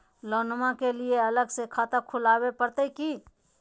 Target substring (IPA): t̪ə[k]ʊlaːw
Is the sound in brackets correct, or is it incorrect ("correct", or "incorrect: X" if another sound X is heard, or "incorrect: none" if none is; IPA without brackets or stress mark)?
incorrect: kʰ